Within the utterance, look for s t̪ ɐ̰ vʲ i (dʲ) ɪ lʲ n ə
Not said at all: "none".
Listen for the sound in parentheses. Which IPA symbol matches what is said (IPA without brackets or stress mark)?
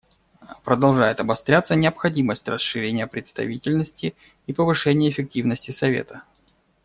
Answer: tʲ